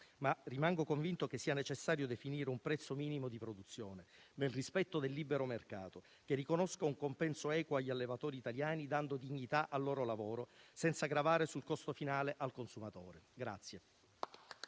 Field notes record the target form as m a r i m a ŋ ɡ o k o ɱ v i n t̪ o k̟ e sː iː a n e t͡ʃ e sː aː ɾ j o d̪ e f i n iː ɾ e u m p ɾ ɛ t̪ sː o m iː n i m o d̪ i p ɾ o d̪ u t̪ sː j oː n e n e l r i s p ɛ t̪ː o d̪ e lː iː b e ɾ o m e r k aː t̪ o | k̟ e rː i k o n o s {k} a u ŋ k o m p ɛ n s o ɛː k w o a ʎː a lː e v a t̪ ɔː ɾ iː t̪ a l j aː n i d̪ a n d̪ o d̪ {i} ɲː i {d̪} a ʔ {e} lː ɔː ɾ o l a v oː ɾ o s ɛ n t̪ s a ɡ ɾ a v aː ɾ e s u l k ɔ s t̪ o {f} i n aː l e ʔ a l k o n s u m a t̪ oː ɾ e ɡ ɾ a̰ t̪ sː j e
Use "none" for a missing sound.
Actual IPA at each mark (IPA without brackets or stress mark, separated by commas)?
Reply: k, i, t̪, a, f